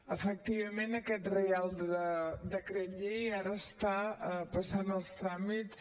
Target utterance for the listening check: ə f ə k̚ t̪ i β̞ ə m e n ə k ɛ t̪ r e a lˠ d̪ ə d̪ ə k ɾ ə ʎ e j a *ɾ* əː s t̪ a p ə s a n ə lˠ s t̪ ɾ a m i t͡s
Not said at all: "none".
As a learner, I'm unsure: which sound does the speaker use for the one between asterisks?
ɾ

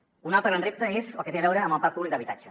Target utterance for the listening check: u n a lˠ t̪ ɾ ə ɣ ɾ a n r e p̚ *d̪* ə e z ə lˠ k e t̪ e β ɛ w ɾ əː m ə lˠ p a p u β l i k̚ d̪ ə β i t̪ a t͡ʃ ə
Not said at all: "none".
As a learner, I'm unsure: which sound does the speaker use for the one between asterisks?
t̪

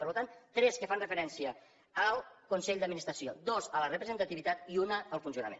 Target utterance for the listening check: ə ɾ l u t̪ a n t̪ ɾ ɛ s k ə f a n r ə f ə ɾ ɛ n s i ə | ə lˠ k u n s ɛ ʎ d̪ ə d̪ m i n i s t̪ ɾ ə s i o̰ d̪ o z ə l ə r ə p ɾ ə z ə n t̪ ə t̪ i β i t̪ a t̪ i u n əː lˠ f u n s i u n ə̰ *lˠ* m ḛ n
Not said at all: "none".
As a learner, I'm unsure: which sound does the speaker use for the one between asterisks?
none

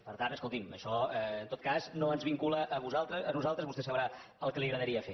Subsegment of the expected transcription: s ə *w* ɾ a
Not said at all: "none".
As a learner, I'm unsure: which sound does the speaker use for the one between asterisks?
β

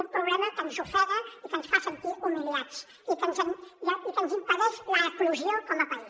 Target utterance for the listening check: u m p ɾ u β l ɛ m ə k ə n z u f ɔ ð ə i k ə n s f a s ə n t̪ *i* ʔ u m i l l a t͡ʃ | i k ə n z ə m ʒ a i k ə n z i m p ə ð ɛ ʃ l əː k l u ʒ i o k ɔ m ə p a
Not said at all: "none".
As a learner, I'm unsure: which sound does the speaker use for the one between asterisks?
i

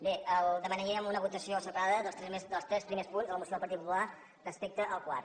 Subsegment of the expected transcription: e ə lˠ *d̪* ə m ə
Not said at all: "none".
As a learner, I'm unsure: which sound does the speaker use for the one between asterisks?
d̪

